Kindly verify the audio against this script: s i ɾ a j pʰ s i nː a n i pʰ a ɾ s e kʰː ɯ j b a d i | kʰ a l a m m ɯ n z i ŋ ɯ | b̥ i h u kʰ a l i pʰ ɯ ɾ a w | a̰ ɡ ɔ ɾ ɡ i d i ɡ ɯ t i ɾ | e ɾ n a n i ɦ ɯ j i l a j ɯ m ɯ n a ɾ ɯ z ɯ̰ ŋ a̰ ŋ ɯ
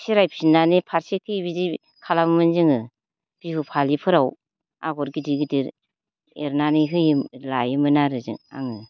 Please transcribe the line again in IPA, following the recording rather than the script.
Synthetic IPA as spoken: s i ɾ a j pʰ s i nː a n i pʰ a ɾ s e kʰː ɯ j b i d i | kʰ a l a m m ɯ n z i ŋ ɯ | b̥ i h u pʰ a l i pʰ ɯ ɾ a w | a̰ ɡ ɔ ɾ ɡ i d i ɡ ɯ d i ɾ | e ɾ n a n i ɦ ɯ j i l a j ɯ m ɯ n a ɾ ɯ z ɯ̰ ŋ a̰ ŋ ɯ